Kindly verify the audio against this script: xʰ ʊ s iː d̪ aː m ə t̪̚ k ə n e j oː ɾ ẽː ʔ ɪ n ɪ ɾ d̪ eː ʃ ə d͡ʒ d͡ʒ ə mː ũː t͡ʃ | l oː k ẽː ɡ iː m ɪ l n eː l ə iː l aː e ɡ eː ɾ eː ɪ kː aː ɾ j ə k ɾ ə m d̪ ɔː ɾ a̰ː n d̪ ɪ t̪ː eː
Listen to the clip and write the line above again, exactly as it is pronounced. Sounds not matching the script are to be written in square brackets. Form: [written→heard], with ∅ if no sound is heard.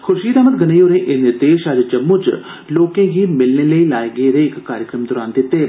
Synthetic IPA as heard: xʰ ʊ [s→ʃ] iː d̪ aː m ə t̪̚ [k→ɡ] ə n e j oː ɾ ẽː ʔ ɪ n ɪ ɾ d̪ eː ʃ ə d͡ʒ d͡ʒ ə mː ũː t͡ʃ | l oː k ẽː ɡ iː m ɪ l n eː l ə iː l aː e ɡ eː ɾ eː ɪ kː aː ɾ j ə k ɾ ə m d̪ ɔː ɾ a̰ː n d̪ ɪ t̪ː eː